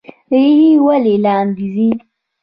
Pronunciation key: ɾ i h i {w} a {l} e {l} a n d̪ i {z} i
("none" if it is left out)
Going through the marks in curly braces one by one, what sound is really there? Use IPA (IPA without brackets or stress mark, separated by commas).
w, l, l, z